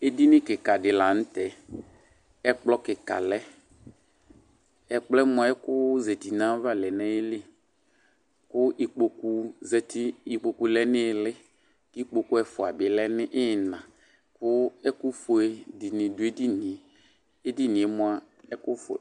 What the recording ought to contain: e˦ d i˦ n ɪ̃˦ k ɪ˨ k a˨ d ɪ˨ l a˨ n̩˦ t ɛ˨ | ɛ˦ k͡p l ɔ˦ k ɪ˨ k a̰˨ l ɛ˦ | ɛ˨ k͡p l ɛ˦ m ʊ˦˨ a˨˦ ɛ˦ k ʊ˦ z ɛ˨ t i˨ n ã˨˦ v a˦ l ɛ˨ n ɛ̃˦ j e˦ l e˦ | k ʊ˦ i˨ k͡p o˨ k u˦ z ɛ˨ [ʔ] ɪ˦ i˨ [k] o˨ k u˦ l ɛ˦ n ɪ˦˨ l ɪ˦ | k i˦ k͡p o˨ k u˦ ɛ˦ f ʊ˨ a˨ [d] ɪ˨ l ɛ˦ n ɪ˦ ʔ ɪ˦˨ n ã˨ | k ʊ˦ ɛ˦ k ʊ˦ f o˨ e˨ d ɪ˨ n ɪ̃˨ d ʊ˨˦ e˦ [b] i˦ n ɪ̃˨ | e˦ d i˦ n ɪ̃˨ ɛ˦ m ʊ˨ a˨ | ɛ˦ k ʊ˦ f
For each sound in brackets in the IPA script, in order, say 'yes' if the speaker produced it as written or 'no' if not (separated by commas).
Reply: no, no, no, no